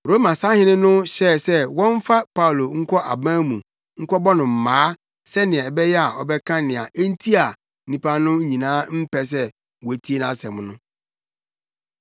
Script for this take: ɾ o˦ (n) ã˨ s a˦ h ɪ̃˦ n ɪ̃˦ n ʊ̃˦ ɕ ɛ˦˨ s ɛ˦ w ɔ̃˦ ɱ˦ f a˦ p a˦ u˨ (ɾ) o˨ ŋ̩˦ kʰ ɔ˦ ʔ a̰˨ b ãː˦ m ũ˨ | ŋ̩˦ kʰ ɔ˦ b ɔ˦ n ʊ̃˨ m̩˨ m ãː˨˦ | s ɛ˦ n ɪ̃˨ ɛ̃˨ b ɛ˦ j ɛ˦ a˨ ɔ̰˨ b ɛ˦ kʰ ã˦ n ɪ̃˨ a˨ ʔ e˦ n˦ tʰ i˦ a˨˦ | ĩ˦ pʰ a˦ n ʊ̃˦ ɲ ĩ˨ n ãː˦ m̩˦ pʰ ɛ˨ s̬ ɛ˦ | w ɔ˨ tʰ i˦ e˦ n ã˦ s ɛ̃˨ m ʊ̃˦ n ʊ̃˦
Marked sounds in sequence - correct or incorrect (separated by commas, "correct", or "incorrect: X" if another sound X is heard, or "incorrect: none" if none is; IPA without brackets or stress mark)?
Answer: incorrect: m, incorrect: l